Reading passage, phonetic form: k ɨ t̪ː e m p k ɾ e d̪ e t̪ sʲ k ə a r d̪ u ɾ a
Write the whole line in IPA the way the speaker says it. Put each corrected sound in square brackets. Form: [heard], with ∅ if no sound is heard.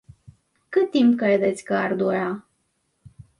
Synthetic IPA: k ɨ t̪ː [i] m p k ɾ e d̪ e t̪ sʲ k ə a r d̪ u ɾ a